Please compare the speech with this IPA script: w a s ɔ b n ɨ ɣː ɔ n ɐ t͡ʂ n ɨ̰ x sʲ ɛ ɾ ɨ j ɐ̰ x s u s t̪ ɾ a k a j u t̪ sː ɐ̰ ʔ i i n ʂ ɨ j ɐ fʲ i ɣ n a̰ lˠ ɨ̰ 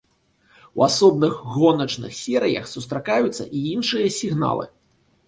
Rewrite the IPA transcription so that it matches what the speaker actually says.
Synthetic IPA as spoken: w a s ɔ b n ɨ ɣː ɔ n ɐ t͡ʂ n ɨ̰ x sʲ ɛ ɾ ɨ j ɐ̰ x s u s t̪ ɾ a k a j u t̪ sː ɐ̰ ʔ i i n ʂ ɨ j ɐ sʲ i ɣ n a̰ lˠ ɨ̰